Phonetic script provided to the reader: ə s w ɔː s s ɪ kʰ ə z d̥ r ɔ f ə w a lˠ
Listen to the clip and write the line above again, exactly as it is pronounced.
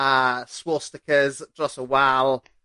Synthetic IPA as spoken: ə s w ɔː s t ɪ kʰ ə z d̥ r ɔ s ə w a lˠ